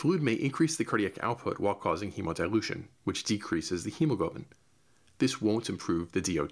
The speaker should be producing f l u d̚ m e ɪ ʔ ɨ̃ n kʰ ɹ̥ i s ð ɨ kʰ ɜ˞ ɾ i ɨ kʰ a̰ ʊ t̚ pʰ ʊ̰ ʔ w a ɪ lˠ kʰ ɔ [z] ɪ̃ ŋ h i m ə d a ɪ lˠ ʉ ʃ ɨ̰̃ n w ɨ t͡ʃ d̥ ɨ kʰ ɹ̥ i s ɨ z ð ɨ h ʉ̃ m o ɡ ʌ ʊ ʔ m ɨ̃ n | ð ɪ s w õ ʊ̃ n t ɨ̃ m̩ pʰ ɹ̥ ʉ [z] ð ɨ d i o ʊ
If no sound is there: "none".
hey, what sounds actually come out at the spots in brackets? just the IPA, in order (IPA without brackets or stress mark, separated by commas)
z, v